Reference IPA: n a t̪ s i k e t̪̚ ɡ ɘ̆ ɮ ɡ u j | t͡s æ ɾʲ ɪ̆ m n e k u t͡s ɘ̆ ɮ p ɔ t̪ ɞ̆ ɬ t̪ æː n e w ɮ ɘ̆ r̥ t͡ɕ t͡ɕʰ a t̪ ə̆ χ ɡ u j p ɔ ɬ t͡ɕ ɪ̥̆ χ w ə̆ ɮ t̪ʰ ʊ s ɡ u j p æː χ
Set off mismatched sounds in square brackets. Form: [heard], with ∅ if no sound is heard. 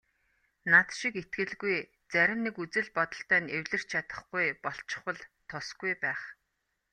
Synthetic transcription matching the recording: n a t̪ [ʃ] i k e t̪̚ ɡ ɘ̆ ɮ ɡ u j | t͡s æ ɾʲ ɪ̆ m n e k u t͡s ɘ̆ ɮ p ɔ t̪ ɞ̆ ɬ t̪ æː n e w ɮ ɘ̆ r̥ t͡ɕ t͡ɕʰ a t̪ ə̆ χ ɡ u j p ɔ ɬ t͡ɕ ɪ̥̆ χ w ə̆ ɮ t̪ʰ ʊ s ɡ u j p æː χ